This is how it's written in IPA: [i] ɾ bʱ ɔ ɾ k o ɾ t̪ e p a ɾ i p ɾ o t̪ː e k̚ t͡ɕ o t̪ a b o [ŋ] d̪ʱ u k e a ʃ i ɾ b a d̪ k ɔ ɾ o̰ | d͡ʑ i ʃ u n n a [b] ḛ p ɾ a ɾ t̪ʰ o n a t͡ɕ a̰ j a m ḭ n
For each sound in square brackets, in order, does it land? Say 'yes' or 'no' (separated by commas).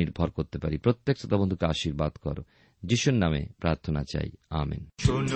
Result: yes, no, no